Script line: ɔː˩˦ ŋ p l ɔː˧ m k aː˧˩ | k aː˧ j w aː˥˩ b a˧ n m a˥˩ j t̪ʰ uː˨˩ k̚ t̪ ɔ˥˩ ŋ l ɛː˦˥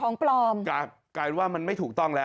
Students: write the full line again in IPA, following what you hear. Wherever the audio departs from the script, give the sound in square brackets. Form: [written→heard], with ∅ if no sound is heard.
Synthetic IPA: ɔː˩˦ ŋ p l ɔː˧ m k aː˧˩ | k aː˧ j w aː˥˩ [b→m] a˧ n m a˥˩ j t̪ʰ uː˨˩ k̚ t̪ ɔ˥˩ ŋ l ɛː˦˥